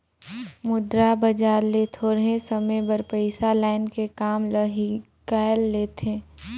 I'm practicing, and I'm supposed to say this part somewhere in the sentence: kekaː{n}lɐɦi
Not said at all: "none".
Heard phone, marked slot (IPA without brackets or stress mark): m